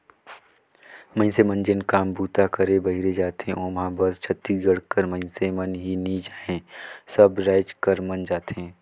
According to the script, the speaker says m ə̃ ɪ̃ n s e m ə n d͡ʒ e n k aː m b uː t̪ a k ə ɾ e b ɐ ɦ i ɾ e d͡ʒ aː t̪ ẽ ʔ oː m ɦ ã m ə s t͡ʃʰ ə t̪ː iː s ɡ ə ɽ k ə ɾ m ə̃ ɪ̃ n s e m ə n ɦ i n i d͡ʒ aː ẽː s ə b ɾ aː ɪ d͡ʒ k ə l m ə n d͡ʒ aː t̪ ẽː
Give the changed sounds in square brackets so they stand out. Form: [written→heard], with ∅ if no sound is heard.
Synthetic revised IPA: m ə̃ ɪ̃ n s e m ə n d͡ʒ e n k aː m b uː t̪ a k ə ɾ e b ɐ ɦ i ɾ e d͡ʒ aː t̪ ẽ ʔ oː m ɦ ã [m→b] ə s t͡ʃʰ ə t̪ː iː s ɡ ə ɽ k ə ɾ m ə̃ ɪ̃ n s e m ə n ɦ i n i d͡ʒ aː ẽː s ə b ɾ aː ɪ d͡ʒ k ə [l→ɾ] m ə n d͡ʒ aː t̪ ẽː

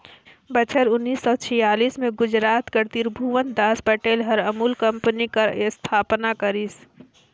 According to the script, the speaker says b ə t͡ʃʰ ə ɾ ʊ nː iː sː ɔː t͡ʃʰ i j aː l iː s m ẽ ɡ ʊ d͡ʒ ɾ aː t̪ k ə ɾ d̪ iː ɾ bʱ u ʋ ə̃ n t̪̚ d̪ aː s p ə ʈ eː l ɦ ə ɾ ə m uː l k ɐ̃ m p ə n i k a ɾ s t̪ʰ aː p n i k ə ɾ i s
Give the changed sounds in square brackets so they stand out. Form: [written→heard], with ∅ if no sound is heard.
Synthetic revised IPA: b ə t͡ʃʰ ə ɾ ʊ nː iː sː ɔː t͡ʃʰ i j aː l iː s m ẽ ɡ ʊ d͡ʒ ɾ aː t̪ k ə ɾ [d̪→t̪] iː ɾ bʱ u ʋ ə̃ n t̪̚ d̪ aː s p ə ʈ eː l ɦ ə ɾ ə m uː l k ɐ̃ m p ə n i k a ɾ s t̪ʰ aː p n [i→a] k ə ɾ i s

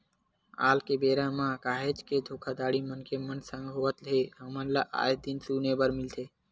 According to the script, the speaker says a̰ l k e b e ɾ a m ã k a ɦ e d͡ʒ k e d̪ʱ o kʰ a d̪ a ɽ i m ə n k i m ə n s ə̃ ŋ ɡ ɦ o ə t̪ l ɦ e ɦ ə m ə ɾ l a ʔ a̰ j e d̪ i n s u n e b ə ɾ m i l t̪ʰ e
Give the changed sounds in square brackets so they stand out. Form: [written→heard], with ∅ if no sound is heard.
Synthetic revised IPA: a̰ l k e b e ɾ a m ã k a ɦ e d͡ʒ k e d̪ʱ o kʰ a d̪ a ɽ i m ə n k [i→e] m ə n s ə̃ ŋ ɡ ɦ o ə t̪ l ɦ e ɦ ə m ə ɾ l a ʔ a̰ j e d̪ i n s u n e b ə ɾ m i l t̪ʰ e

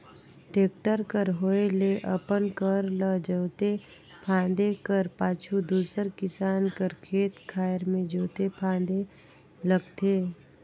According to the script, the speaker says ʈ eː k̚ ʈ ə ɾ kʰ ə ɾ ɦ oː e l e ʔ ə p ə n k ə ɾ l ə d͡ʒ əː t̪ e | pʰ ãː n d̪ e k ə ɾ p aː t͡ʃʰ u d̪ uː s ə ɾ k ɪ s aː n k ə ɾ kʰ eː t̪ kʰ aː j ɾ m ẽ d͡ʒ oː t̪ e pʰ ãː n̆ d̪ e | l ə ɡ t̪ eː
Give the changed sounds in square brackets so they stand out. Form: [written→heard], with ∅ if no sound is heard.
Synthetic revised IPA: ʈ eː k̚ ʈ ə ɾ [kʰ→k] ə ɾ ɦ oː e l e ʔ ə p ə n k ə ɾ l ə d͡ʒ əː t̪ e | pʰ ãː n d̪ e k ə ɾ p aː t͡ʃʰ u d̪ uː s ə ɾ k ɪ s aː n k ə ɾ kʰ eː t̪ kʰ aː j ɾ m ẽ d͡ʒ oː t̪ e pʰ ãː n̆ d̪ e | l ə ɡ t̪ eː

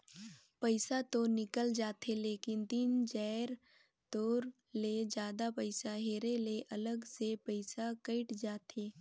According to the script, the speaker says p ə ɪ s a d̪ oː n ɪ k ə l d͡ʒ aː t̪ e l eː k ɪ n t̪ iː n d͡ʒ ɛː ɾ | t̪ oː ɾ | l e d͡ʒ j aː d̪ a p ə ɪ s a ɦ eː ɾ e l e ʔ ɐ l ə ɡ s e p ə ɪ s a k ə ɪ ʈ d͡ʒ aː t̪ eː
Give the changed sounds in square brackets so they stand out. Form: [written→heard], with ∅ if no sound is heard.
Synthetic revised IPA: p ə ɪ s a [d̪→t̪] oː n ɪ k ə l d͡ʒ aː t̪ e l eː k ɪ n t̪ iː n d͡ʒ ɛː ɾ | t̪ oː ɾ | l e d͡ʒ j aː d̪ a p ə ɪ s a ɦ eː ɾ e l e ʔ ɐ l ə ɡ s e p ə ɪ s a k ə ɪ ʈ d͡ʒ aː t̪ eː

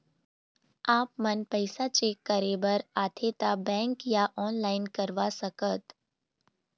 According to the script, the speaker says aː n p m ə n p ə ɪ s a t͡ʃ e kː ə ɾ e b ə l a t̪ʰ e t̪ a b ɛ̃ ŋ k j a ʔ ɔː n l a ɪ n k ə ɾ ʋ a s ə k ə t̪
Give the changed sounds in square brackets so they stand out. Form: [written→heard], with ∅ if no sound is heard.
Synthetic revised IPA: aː [n→∅] p m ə n p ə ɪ s a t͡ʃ e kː ə ɾ e b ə [l→ɾ] a t̪ʰ e t̪ a b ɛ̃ ŋ k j a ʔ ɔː n l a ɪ n k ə ɾ ʋ a s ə k ə t̪

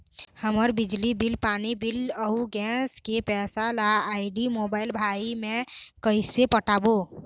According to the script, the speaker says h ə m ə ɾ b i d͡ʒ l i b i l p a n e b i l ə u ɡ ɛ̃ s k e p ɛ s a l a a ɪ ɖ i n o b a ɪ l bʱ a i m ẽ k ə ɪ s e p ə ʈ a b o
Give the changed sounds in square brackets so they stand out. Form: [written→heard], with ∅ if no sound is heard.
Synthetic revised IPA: h ə m ə ɾ b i d͡ʒ l i b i l p a n [e→i] b i l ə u ɡ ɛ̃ s k e p ɛ s a l a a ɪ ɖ i [n→m] o b a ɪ l bʱ a i m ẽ k ə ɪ s e p ə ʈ a b o

